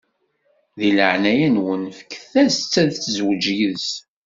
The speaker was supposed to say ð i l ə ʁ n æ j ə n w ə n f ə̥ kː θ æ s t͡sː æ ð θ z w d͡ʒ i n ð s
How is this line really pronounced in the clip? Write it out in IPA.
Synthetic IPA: ð i l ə ʕ n æ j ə n w ə n f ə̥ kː θ æ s t͡sː æ ð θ z w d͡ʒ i ð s